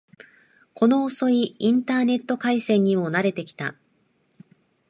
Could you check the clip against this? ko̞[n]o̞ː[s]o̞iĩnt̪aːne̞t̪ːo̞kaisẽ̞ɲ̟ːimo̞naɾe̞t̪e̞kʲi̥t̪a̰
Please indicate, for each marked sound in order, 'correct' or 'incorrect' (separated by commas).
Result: correct, correct